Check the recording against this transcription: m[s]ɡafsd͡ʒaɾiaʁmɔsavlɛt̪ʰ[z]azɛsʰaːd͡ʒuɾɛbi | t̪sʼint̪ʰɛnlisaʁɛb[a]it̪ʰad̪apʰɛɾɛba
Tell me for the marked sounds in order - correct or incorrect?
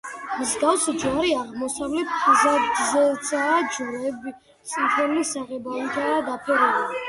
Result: incorrect, correct, correct

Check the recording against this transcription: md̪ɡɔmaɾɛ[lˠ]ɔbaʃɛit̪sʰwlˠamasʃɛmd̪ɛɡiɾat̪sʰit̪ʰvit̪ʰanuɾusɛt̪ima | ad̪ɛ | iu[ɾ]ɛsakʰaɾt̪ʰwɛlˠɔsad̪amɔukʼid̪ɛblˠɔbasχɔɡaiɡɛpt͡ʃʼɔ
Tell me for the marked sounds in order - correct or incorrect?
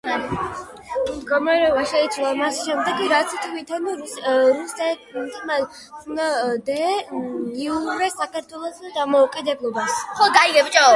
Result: incorrect, correct

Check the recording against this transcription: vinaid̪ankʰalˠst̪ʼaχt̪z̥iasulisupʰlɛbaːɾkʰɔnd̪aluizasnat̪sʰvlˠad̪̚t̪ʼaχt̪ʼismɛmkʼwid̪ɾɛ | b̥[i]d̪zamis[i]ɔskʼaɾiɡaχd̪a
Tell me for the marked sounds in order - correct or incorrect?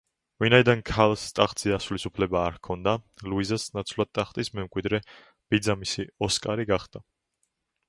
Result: correct, correct

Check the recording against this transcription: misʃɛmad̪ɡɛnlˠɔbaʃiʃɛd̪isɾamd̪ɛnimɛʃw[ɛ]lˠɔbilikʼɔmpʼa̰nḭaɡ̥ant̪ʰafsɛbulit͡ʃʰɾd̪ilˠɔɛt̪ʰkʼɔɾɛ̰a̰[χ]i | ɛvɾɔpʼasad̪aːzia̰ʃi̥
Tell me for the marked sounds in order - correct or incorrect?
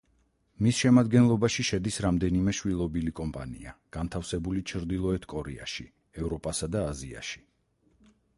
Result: incorrect, incorrect

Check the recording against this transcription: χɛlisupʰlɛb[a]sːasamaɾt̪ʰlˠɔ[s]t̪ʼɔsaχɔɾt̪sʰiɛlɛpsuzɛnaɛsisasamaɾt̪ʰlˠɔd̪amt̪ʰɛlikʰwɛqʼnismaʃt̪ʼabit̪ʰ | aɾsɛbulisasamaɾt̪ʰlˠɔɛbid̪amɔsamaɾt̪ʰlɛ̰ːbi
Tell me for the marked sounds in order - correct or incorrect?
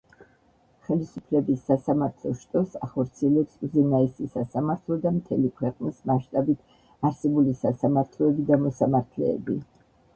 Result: incorrect, incorrect

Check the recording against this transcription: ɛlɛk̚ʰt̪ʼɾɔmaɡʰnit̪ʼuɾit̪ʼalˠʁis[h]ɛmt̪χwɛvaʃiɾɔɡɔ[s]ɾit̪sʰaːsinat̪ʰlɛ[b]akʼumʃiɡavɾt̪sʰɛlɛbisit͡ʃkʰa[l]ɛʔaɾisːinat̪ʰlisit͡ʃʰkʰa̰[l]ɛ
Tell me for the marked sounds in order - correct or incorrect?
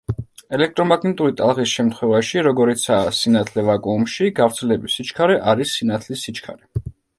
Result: incorrect, incorrect, incorrect, incorrect, incorrect

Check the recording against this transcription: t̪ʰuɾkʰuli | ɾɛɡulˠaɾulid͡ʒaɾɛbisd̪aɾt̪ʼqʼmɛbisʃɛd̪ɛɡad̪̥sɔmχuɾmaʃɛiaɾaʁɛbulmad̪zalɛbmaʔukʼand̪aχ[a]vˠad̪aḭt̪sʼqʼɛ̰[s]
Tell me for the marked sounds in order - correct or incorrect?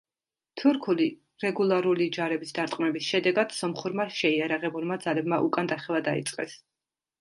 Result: incorrect, correct

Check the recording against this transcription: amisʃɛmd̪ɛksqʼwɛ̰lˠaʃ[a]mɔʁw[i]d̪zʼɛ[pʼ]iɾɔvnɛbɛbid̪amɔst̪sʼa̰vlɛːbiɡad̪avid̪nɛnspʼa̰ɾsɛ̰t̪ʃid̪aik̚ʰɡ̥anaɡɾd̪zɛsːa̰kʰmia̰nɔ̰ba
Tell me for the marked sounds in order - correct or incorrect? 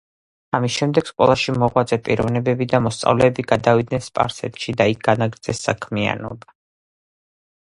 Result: incorrect, incorrect, correct

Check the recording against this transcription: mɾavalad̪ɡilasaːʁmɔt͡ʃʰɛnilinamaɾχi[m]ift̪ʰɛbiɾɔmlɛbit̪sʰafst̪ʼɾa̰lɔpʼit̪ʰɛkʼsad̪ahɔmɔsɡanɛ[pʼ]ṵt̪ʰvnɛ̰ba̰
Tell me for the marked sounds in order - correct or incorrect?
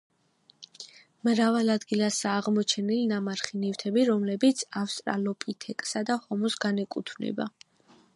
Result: incorrect, incorrect

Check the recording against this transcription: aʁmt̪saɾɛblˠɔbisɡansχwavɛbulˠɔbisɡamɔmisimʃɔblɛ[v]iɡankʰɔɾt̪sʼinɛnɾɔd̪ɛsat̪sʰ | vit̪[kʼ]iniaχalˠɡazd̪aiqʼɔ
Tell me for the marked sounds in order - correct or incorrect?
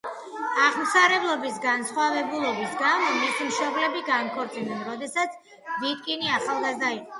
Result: incorrect, correct

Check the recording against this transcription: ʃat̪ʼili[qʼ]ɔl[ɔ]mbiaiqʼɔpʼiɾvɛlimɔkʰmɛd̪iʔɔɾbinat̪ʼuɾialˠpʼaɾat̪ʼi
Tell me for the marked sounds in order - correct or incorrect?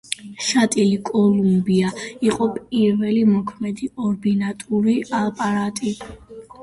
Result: incorrect, incorrect

